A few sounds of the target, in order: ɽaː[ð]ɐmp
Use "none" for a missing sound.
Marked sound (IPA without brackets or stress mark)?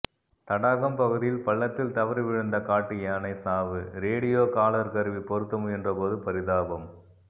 ɣ